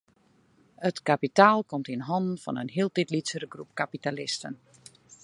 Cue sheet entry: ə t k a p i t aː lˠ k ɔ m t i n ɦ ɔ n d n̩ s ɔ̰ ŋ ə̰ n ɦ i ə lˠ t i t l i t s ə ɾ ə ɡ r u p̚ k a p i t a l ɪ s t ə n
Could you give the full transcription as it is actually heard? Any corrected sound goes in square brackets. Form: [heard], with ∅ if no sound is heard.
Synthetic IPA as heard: ə t k a p i t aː lˠ k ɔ m t i n ɦ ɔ n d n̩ [f] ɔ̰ [n] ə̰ n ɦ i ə lˠ t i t l i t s ə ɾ ə ɡ r u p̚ k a p i t a l ɪ s t ə n